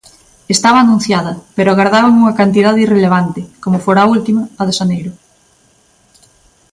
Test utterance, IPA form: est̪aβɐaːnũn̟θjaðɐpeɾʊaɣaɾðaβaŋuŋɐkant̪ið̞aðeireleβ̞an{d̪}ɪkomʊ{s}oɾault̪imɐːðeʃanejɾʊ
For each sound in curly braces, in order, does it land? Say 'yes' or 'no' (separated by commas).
no, no